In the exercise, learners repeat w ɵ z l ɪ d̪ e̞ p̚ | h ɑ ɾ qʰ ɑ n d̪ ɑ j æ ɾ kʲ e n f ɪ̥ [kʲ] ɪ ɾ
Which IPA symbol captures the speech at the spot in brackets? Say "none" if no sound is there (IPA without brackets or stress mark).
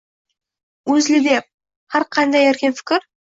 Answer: kʲ